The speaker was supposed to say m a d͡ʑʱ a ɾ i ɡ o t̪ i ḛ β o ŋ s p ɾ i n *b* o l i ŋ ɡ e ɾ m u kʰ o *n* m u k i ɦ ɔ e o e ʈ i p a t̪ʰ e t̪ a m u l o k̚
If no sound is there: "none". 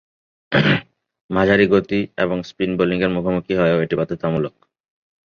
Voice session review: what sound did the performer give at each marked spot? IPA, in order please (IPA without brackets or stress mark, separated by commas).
b, none